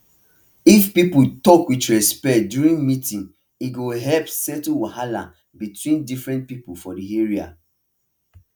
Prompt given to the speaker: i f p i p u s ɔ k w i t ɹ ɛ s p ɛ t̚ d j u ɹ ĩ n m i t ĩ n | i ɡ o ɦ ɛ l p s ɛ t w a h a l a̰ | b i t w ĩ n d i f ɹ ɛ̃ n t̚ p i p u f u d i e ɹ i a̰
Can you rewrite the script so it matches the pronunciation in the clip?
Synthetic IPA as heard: i f p i p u t ɔ k w i t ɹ ɛ s p ɛ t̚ d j u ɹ ĩ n m i t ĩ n | i ɡ o ɦ ɛ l p s ɛ t w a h a l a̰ | b i t w ĩ n d i f ɹ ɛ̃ n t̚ p i p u f ɔ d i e ɹ i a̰